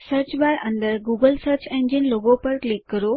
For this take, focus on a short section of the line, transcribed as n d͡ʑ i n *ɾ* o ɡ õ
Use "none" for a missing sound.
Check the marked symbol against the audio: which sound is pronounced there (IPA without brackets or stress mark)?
l